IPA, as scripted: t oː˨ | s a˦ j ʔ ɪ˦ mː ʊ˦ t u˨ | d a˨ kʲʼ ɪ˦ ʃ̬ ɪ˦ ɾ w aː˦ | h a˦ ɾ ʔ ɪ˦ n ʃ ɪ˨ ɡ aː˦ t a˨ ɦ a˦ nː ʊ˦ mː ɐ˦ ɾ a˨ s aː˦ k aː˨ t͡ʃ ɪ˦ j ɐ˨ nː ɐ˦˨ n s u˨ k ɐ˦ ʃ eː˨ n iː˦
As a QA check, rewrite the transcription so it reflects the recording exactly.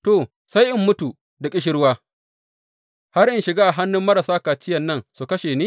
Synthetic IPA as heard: t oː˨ | s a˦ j ʔ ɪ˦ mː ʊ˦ t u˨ | d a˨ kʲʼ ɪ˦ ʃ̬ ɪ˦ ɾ w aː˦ | h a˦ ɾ ʔ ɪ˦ n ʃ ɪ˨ ɡ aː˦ ʔ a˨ ɦ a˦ nː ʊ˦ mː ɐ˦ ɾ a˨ s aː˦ k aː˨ t͡ʃ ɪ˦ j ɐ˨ nː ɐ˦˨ n s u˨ k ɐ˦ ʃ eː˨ n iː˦